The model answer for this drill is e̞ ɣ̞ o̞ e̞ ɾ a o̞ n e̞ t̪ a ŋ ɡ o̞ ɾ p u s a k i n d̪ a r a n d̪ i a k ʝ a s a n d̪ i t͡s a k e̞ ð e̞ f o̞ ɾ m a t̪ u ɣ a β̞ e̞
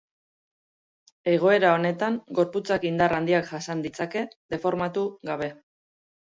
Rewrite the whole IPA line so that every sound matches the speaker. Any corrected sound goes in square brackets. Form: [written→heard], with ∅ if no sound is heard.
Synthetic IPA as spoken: e̞ ɣ̞ o̞ e̞ ɾ a o̞ n e̞ t̪ a ŋ ɡ o̞ ɾ p u [s→t͡s] a k i n d̪ a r a n d̪ i a k ʝ a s a n d̪ i t͡s a k e̞ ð e̞ f o̞ ɾ m a t̪ u ɣ a β̞ e̞